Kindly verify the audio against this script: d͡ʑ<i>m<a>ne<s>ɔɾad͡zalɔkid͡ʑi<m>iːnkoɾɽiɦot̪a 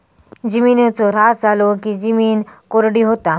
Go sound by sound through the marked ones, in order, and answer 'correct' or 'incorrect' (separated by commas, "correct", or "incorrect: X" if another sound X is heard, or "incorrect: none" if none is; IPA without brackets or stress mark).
correct, incorrect: i, incorrect: t͡s, correct